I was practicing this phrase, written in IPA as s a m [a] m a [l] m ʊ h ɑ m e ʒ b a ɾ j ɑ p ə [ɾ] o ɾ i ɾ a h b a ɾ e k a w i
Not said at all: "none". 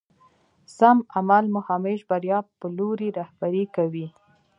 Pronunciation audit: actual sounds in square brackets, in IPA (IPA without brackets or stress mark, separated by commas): a, l, l